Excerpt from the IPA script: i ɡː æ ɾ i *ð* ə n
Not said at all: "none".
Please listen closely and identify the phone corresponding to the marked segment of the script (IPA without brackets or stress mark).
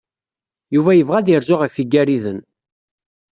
ð